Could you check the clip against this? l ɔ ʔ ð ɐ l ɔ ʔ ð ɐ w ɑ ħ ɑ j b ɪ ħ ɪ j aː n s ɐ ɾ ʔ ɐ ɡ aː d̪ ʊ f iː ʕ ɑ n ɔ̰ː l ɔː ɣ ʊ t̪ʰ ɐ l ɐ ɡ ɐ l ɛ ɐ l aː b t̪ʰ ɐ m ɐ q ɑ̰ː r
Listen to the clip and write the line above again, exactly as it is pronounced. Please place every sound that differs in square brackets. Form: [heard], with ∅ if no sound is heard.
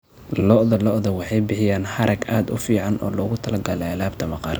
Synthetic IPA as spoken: l ɔ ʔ ð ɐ l ɔ ʔ ð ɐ w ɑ ħ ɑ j b ɪ ħ ɪ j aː n [ħ] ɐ ɾ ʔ ɐ ɡ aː d̪ ʊ f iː ʕ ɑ n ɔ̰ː l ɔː ɣ ʊ t̪ʰ ɐ l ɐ ɡ ɐ l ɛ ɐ l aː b t̪ʰ ɐ m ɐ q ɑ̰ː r